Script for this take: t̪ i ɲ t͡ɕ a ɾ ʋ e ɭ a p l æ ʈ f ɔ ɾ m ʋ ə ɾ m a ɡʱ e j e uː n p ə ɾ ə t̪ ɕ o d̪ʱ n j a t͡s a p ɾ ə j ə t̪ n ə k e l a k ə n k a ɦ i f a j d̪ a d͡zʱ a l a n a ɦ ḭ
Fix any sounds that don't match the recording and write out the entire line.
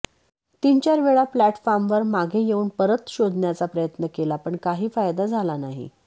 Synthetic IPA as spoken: t̪ i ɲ t͡ɕ a ɾ ʋ e ɭ a p l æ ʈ f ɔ ɾ m ʋ ə ɾ m a ɡʱ e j e uː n p ə ɾ ə t̪ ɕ o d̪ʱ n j a t͡s a p ɾ ə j ə t̪ n ə k e l a p ə ɳ k a ɦ iː f a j d̪ a d͡zʱ a l a n a ɦ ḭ